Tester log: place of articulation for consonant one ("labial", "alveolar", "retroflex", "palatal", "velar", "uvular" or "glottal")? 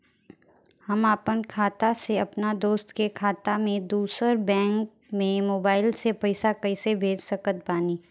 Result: glottal